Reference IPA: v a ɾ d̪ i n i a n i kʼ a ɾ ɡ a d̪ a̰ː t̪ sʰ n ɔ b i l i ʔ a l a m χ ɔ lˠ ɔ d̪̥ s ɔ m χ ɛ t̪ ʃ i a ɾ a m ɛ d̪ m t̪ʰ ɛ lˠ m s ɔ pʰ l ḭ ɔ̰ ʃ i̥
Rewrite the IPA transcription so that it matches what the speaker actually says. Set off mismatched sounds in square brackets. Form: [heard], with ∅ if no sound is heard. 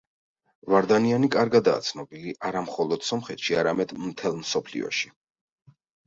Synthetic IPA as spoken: v a ɾ d̪ [a] n i a n i kʼ a ɾ ɡ a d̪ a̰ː t̪ sʰ n ɔ b i l i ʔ a [ɾ] a m χ ɔ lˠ ɔ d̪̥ s ɔ m χ ɛ t̪ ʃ i a ɾ a m ɛ d̪ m t̪ʰ ɛ lˠ m s ɔ pʰ l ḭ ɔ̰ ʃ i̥